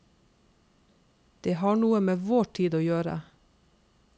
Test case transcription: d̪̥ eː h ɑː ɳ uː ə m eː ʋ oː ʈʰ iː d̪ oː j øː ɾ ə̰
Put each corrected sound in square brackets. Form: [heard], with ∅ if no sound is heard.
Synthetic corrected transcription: d̪̥ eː h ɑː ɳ uː ə m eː ʋ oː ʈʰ iː d̪ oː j øː ɾ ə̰